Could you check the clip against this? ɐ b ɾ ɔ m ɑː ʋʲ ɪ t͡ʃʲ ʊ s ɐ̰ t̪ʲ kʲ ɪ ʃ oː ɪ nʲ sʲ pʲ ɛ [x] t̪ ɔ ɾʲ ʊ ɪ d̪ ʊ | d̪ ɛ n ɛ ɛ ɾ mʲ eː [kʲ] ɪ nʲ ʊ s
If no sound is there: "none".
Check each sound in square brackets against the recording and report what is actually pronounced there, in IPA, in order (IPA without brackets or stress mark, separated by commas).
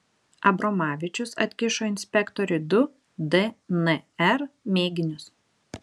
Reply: k, ɡʲ